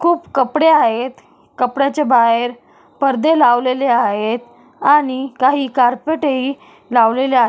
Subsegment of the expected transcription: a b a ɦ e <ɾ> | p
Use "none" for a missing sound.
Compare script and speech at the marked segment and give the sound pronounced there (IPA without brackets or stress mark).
ɾ